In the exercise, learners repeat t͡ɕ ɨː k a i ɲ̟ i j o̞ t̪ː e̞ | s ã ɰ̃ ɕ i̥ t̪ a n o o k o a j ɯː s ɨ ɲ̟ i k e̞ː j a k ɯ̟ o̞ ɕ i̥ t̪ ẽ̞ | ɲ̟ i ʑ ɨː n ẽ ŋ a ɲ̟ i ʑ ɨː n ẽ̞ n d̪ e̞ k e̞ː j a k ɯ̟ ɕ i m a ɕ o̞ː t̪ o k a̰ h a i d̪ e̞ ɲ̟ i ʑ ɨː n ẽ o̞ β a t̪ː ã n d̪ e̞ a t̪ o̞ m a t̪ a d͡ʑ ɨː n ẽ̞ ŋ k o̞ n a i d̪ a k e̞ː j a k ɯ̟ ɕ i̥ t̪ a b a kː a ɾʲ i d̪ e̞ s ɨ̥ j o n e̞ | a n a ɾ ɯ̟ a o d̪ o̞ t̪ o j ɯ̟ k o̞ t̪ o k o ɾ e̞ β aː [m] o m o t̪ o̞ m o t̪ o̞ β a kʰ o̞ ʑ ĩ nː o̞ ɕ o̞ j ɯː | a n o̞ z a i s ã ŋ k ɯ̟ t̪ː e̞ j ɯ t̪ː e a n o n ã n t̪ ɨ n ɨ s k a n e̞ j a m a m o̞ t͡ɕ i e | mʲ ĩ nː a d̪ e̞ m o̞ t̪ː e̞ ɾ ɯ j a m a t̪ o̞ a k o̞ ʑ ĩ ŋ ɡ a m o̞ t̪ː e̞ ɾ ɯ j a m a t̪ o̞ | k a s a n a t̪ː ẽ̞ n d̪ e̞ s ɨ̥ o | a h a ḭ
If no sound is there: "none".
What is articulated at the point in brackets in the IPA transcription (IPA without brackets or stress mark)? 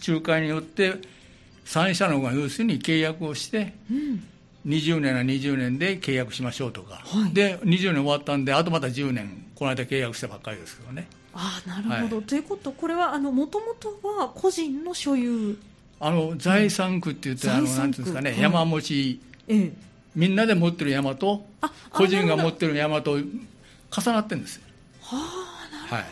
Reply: n